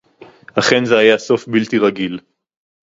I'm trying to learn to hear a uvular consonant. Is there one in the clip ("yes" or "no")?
yes